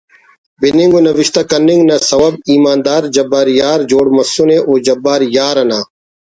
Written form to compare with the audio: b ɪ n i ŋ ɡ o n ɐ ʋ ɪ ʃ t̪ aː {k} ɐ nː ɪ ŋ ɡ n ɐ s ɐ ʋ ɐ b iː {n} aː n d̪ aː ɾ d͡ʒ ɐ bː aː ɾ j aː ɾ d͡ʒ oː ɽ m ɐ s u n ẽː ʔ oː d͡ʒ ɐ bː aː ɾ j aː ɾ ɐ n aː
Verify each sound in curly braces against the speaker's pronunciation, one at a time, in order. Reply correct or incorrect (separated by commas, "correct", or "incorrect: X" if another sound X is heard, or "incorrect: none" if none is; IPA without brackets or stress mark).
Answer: correct, incorrect: m